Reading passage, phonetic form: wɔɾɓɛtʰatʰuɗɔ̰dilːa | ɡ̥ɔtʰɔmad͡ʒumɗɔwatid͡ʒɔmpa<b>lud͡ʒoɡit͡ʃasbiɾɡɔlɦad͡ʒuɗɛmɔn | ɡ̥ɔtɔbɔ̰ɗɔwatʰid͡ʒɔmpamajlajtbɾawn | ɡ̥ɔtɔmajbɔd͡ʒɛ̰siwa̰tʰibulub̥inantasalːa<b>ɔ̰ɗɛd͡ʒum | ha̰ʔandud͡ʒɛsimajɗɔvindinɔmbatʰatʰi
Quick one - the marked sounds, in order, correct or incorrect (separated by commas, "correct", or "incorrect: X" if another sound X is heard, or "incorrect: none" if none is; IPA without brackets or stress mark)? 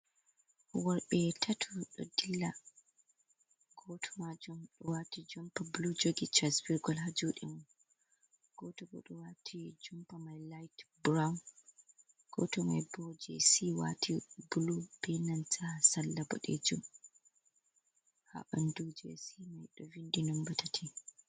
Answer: correct, correct